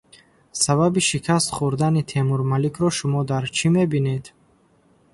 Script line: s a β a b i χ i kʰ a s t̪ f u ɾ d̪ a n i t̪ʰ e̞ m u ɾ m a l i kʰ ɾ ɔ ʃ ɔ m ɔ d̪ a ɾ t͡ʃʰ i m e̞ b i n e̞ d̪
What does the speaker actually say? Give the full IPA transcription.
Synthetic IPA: s a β a b i ʃ i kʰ a s t̪ χ u ɾ d̪ a n i t̪ʰ e̞ m u ɾ m a l i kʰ ɾ ɔ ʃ u m ɔ d̪ a ɾ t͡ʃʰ i m e̞ b i n e̞ d̪